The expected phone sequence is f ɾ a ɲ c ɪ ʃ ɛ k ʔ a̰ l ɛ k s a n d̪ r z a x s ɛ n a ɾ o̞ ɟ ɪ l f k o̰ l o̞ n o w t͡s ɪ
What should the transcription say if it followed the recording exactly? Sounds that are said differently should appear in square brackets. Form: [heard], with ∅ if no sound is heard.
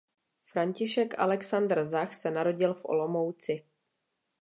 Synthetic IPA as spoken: f ɾ a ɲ c ɪ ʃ ɛ k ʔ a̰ l ɛ k s a n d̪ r z a x s ɛ n a ɾ o̞ ɟ ɪ l f [ʔ] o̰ l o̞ [m] o w t͡s ɪ

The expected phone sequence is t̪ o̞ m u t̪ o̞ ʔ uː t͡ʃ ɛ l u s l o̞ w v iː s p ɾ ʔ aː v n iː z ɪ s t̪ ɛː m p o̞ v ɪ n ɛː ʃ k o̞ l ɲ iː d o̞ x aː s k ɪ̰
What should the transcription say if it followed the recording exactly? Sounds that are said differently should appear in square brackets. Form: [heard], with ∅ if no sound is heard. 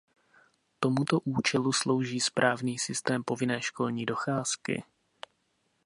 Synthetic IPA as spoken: t̪ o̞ m u t̪ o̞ ʔ uː t͡ʃ ɛ l u s l o̞ w [ʒ] iː s p ɾ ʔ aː v n iː [s] ɪ s t̪ ɛː m p o̞ v ɪ n ɛː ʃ k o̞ l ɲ iː d o̞ x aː s k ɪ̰

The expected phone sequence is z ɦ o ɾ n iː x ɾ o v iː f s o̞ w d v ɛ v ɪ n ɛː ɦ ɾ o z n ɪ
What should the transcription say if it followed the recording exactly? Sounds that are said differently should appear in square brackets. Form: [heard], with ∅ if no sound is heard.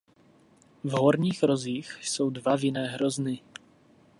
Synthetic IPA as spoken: [v] ɦ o ɾ [ɲ] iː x ɾ o [z] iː [x] s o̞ w d v [a] v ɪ n ɛː ɦ ɾ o z n ɪ

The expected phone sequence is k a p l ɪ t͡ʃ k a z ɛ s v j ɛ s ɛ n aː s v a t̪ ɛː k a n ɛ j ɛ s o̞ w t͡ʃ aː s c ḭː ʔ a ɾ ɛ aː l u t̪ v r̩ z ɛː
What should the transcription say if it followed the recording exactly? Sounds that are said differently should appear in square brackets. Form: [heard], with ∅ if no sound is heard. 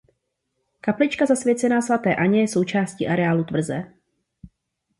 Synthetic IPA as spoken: k a p l ɪ t͡ʃ k a z [a] s v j ɛ [t͡s] ɛ n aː s v a t̪ ɛː [ʔ] a [ɲ] ɛ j ɛ s o̞ w t͡ʃ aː s c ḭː ʔ a ɾ ɛ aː l u t̪ v r̩ z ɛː

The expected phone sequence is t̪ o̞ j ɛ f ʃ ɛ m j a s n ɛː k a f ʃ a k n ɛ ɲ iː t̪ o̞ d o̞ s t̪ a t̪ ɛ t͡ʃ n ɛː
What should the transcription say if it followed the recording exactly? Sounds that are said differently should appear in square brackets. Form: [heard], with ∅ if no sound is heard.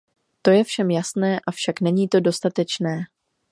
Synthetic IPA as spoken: t̪ o̞ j ɛ f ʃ ɛ m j a s n ɛː [ʔ] a f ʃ a k n ɛ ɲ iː t̪ o̞ d o̞ s t̪ a t̪ ɛ t͡ʃ n ɛː

